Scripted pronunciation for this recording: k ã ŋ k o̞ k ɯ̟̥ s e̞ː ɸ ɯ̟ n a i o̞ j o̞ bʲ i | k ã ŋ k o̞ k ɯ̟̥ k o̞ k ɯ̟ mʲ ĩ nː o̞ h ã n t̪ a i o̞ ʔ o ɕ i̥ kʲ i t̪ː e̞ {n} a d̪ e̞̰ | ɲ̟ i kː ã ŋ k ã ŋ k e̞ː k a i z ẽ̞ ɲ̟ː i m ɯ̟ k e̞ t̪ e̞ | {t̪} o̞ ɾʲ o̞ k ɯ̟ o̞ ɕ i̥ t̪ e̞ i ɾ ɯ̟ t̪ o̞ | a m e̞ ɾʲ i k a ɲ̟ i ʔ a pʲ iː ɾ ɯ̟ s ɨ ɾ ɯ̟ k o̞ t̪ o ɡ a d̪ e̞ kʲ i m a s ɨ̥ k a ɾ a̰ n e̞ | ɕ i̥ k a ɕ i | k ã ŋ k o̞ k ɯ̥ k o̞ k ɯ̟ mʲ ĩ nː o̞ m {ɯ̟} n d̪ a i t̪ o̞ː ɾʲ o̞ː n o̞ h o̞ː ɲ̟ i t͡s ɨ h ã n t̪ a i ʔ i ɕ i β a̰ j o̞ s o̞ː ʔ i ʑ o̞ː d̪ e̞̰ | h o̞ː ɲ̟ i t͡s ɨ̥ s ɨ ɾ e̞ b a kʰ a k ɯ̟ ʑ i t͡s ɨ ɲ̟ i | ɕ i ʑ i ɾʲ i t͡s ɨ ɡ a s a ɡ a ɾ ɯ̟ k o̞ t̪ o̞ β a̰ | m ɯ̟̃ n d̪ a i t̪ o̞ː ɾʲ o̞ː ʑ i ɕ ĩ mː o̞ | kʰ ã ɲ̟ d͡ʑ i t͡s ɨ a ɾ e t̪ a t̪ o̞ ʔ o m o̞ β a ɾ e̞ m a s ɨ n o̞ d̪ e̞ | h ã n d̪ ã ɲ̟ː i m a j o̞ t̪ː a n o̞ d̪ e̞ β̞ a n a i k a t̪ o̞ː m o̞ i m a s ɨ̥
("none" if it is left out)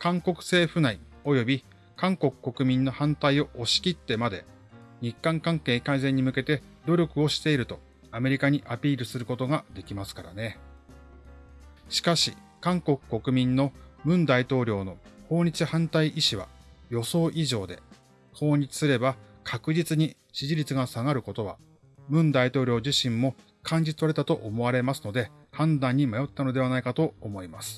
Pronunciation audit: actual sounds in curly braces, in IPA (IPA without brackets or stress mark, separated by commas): m, d̪, ɯ̟̃